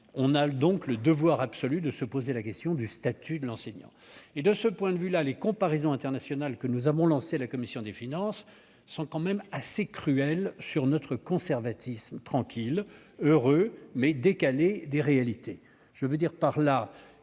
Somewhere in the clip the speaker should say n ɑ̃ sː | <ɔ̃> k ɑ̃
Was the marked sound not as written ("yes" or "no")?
no